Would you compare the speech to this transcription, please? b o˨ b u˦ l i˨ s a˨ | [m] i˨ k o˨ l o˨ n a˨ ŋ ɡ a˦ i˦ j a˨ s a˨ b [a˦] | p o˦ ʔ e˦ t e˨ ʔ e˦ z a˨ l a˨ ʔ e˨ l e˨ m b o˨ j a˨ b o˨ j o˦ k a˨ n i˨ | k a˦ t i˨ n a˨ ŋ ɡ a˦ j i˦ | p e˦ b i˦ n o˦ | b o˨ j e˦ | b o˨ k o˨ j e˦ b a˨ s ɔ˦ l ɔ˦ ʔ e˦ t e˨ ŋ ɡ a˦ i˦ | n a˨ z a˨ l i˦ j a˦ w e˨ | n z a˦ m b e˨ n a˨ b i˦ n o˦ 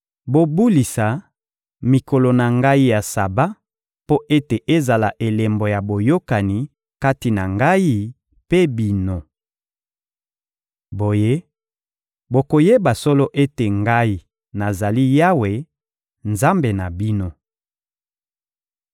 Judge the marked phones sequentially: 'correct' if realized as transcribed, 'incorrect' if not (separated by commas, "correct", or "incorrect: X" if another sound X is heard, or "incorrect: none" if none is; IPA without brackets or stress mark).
correct, correct